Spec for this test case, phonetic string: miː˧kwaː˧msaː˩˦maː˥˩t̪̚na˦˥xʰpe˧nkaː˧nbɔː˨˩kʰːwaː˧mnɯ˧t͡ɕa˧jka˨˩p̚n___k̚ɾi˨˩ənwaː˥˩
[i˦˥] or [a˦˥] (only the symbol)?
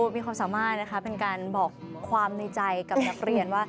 a˦˥